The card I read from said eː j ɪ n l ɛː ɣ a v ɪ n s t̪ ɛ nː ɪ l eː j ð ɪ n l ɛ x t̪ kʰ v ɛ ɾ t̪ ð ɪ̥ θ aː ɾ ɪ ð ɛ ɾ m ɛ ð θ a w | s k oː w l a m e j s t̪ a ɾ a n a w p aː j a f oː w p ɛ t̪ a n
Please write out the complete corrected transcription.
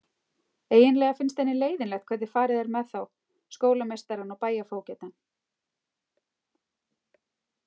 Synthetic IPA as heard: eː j ɪ n l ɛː ɣ a f ɪ n s t̪ ɛ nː ɪ l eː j ð ɪ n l ɛ x t̪ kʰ v ɛ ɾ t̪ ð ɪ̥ f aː ɾ ɪ ð ɛ ɾ m ɛ ð θ a w | s k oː w l a m e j s t̪ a ɾ a n a w p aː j a f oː w c ɛ t̪ a n